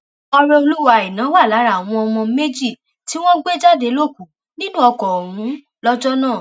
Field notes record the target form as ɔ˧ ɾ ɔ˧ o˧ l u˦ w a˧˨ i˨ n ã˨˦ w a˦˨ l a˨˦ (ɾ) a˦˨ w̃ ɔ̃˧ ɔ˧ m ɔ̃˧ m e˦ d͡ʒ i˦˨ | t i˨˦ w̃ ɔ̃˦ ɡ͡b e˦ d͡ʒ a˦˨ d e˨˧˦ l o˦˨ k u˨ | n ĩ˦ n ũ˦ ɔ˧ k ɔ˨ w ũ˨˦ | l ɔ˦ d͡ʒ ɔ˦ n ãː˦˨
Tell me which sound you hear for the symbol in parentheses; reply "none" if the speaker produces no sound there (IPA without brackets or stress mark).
ɾ